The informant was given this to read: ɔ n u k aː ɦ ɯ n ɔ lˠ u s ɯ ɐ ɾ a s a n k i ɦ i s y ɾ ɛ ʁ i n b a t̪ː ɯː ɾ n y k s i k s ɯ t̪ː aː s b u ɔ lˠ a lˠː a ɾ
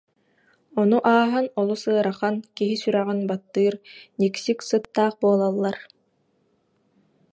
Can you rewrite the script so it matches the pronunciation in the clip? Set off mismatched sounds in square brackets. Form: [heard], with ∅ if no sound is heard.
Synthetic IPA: ɔ n u [ʔ] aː ɦ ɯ n ɔ lˠ u s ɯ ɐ ɾ a [χ] a n k i ɦ i s y ɾ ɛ ʁ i n b a t̪ː ɯː ɾ n [i] k s i k s ɯ t̪ː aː [χ] b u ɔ lˠ a lˠː a ɾ